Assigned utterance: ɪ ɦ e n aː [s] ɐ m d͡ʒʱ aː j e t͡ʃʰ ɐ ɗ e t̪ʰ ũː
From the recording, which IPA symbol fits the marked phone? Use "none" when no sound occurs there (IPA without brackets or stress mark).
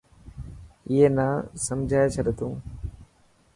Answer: s